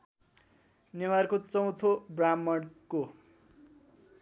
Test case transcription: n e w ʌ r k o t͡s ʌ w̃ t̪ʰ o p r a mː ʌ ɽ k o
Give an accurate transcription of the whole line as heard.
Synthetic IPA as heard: n e w a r k o t͡s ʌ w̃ t̪ʰ o b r a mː ʌ ɽ k o